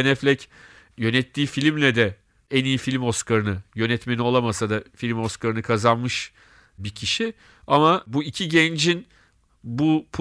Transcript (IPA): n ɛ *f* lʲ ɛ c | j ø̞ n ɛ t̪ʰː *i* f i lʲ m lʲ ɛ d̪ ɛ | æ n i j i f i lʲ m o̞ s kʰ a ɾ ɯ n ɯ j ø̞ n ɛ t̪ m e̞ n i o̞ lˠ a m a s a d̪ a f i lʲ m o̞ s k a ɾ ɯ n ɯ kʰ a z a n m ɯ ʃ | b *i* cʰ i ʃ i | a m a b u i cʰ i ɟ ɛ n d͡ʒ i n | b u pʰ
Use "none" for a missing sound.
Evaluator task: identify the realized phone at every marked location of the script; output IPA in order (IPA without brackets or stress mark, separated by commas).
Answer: f, iː, i